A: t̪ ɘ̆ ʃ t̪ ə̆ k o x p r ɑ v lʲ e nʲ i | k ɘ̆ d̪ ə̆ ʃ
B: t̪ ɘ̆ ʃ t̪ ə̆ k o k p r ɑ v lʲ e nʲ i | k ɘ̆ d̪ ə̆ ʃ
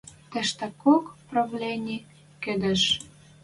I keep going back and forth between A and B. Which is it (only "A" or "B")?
B